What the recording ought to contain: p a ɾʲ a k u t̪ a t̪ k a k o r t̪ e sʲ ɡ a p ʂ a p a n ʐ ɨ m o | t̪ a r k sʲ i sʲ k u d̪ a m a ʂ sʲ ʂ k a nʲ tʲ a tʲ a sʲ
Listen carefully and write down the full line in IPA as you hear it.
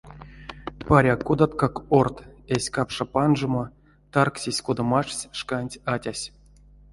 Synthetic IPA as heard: p a ɾʲ a k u d̪ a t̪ k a k o r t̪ e sʲ k a p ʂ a p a n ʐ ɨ m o | t̪ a r k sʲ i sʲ k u d̪ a m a ʂ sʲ ʂ k a nʲ tʲ a tʲ a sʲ